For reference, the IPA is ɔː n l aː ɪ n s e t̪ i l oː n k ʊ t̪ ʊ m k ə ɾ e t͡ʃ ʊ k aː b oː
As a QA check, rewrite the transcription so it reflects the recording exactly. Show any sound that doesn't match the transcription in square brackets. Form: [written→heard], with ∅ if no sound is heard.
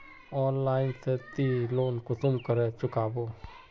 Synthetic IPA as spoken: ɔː n l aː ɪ n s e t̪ i l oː n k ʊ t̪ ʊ m k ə ɾ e t͡ʃ ʊ k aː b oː